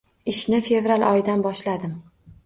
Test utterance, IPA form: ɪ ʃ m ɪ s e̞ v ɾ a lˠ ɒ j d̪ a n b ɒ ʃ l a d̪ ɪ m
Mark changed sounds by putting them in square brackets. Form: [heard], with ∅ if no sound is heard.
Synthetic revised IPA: ɪ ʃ [n] ɪ [f] e̞ v ɾ a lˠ ɒ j d̪ a n b ɒ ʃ l a d̪ ɪ m

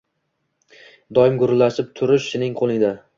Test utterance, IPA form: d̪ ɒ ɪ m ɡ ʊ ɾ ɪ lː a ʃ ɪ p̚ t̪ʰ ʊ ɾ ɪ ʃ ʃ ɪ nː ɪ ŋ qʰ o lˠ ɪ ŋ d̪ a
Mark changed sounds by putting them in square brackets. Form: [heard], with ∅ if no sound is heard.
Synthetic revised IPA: d̪ ɒ ɪ m ɡ ʊ ɾ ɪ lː a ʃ ɪ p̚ t̪ʰ ʊ ɾ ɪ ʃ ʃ ɪ [n] ɪ ŋ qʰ o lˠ ɪ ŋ d̪ a

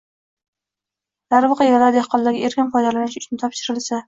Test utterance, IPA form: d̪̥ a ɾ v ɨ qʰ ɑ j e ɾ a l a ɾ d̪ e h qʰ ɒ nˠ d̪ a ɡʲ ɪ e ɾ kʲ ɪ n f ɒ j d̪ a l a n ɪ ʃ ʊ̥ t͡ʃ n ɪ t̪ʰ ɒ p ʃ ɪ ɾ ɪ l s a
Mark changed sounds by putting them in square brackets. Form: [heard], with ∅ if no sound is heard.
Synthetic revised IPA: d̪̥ a ɾ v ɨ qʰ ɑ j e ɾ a l a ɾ d̪ e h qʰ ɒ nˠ d̪ a ɡʲ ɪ e ɾ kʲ ɪ n f ɒ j d̪ a l a n ɪ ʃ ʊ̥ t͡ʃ n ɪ t̪ʰ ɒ p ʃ ɪ ɾ ɪ l s a

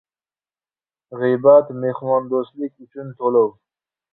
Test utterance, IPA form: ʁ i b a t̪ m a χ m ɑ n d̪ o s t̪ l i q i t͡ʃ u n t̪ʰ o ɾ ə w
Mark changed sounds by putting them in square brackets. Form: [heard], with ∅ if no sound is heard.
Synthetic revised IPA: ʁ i b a t̪ m [e] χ m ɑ n d̪ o s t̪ l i [k] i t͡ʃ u n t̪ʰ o [l] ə w

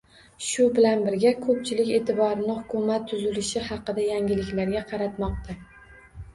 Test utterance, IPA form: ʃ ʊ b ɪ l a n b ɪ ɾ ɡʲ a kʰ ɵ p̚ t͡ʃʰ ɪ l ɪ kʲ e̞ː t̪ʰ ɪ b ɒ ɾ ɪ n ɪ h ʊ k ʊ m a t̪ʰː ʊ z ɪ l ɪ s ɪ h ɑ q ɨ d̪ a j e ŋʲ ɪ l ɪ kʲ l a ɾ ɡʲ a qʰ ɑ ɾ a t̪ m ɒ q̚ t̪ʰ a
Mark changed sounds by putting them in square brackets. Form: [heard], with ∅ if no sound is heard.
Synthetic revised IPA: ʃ ʊ b ɪ l a n b ɪ ɾ ɡʲ a kʰ ɵ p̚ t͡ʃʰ ɪ l ɪ kʲ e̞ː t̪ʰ ɪ b ɒ ɾ ɪ n ɪ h ʊ k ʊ m a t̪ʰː ʊ z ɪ l ɪ [ʃ] ɪ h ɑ q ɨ d̪ a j [a] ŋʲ ɪ l ɪ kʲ l a ɾ ɡʲ a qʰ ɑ ɾ a t̪ m ɒ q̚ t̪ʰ a

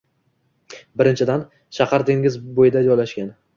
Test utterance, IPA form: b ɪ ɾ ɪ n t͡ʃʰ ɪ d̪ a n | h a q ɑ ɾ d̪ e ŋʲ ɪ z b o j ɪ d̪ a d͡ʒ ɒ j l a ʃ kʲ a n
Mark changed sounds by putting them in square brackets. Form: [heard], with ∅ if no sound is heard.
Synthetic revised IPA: b ɪ ɾ ɪ n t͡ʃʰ ɪ d̪ a n | [ʃ] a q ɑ ɾ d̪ e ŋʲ ɪ z b o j ɪ d̪ a d͡ʒ ɒ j l a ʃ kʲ a n

